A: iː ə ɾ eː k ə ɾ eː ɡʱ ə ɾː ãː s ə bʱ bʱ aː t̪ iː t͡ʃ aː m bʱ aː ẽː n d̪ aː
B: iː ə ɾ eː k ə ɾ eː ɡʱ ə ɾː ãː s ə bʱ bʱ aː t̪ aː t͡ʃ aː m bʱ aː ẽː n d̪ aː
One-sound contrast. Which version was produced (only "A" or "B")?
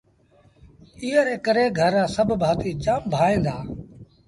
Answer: A